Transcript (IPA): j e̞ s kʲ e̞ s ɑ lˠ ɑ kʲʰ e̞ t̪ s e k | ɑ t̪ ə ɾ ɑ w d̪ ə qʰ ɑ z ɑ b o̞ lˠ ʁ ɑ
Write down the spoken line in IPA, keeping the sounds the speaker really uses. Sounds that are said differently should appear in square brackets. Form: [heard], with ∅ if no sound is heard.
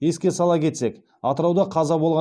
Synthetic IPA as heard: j e̞ s kʲ e̞ s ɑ lˠ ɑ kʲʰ e̞ t̪ s e k | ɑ t̪ ə ɾ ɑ w d̪ [ɑ] qʰ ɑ z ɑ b o̞ lˠ ʁ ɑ